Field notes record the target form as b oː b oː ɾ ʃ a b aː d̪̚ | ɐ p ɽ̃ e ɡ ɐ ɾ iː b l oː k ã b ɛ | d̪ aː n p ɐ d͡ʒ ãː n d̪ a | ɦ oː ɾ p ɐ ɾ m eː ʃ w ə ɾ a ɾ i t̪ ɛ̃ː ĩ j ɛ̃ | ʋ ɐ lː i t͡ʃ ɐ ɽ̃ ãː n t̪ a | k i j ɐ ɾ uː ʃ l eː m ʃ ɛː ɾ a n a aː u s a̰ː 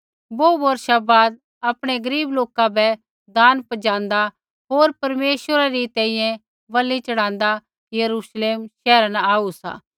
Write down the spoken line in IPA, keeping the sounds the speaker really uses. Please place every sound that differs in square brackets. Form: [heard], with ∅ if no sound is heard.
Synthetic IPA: b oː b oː ɾ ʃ a b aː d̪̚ | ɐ p ɽ̃ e ɡ ɐ ɾ iː b l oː k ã b ɛ | d̪ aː n p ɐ d͡ʒ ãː n d̪ a | ɦ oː ɾ p ɐ ɾ m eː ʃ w ə ɾ a ɾ i t̪ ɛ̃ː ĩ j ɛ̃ | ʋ ɐ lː i t͡ʃ ɐ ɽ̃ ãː n [d̪] a | k i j ɐ ɾ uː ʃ l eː m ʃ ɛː ɾ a n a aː u s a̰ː